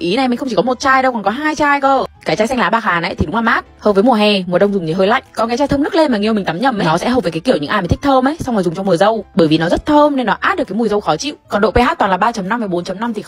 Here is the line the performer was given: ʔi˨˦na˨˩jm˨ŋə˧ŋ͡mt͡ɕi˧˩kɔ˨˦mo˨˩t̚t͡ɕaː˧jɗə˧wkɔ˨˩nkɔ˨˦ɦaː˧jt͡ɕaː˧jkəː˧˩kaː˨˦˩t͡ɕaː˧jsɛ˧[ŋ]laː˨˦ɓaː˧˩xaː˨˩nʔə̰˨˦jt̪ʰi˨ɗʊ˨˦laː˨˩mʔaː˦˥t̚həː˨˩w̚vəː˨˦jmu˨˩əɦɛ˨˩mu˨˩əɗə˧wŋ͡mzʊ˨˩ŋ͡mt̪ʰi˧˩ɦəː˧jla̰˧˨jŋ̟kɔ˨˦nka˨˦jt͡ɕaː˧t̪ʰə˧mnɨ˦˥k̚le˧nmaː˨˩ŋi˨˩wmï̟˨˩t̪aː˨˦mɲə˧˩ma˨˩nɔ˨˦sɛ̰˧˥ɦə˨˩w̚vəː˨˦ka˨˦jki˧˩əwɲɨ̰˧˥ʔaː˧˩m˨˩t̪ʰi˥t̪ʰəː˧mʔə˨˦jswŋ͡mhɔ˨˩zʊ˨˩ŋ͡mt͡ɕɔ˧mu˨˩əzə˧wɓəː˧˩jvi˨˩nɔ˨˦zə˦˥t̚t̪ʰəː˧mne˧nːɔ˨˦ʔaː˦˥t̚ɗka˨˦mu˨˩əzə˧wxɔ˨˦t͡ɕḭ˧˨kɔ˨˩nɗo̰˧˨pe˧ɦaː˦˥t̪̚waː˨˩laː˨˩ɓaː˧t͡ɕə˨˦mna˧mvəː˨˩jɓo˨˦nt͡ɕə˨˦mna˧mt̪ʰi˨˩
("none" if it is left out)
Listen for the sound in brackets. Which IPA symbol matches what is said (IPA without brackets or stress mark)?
ŋ